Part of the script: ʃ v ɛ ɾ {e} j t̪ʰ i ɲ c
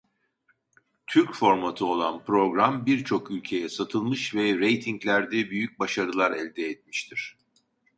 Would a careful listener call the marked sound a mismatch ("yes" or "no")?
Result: no